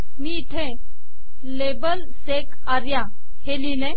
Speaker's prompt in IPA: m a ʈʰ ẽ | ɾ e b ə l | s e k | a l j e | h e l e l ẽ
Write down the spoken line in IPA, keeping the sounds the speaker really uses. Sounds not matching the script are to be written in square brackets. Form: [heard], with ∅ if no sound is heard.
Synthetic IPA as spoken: m [i] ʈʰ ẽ | [l] e b ə l | s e k | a [ɾ] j [a] | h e l [i] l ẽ